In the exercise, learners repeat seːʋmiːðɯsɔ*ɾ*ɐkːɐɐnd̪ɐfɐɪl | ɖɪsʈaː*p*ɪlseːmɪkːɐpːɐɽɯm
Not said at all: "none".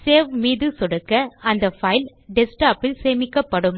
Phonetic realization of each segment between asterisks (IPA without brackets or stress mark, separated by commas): ɽ, p